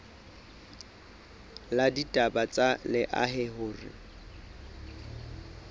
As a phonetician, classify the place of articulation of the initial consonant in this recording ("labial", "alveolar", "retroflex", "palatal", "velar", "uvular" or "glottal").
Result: alveolar